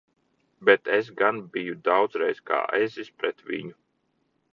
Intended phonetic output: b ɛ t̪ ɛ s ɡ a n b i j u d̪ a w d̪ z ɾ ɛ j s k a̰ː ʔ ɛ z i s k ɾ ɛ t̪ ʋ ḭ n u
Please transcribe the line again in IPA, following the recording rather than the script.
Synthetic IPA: b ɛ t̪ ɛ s ɡ a n b i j u d̪ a w d̪ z ɾ ɛ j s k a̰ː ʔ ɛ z i s p ɾ ɛ t̪ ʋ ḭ ɲ u

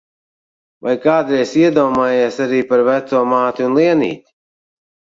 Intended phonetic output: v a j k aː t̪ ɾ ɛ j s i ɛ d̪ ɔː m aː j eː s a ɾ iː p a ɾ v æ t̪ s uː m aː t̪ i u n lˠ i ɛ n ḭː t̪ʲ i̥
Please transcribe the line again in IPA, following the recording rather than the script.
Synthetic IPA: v a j k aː d̪ ɾ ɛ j s i ɛ d̪ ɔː m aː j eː s a ɾ iː p a ɾ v æ t̪ s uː m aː t̪ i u n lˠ i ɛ n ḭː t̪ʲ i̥

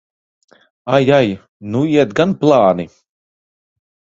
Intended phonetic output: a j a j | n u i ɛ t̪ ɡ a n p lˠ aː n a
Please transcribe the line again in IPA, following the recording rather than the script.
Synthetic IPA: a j a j | n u i ɛ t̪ ɡ a n p lˠ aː n i

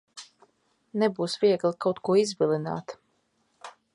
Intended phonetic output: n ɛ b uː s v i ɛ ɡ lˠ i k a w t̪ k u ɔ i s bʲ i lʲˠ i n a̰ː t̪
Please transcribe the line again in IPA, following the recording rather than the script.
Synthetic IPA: n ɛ b uː s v i ɛ ɡ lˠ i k a w t̪ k u ɔ i z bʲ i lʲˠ i n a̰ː t̪

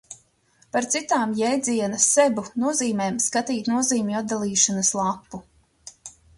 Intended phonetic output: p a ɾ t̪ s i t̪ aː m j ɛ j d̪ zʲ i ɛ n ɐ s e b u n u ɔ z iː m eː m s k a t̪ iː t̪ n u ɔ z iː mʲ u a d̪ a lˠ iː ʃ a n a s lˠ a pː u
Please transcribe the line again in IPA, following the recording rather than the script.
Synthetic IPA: p a ɾ t̪ s i t̪ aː m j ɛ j d̪ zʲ i ɛ n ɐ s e b u n u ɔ z iː m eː m s k a t̪ iː t̪ n u ɔ z iː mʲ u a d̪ a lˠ iː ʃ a n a s lˠ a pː u

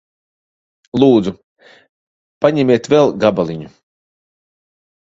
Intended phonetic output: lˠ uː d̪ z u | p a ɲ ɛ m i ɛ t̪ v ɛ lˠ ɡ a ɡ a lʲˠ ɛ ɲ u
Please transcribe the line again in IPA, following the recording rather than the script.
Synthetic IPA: lˠ uː d̪ z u | p a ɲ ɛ m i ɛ t̪ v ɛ lˠ ɡ a b a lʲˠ i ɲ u

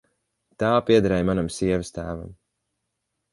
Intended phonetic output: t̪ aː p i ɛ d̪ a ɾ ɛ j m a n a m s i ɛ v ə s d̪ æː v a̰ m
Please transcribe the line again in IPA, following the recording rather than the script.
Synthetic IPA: t̪ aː p i ɛ d̪ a ɾ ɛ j m a n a m s i ɛ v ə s t̪ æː v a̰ m

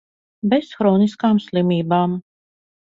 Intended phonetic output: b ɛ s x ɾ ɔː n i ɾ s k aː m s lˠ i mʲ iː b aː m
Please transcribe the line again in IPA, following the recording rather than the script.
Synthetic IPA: b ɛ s x ɾ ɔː n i s k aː m s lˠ i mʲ iː b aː m

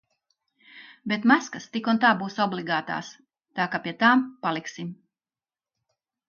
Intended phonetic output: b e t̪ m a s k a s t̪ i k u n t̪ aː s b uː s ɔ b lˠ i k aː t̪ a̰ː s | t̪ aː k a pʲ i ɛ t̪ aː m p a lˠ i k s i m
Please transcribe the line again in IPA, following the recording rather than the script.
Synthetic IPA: b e t̪ m a s k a s t̪ i k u n t̪ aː b uː s ɔ b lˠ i ɡ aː t̪ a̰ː s | t̪ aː k a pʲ i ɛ t̪ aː m p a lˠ i k s i m

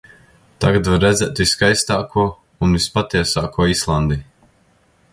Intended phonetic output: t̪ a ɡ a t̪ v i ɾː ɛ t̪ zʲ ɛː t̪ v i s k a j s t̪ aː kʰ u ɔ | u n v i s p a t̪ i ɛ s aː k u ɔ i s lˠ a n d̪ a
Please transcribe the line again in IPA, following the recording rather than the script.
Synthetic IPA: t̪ a ɡ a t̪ v a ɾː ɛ d̪ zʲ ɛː t̪ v i s k a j s t̪ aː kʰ u ɔ | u n v i s p a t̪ i ɛ s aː k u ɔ i s lˠ a n d̪ i

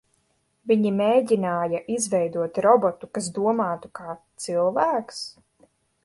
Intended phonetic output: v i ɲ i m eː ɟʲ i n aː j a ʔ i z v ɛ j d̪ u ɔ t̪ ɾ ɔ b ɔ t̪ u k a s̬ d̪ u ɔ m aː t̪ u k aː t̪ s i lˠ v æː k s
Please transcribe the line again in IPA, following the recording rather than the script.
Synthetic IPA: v i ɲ i m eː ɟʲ i n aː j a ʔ i z v ɛ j d̪ u ɔ t̪ ɾ ɔ b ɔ t̪ u k a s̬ d̪ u ɔ m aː t̪ u k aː t̪ s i lˠ v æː k s

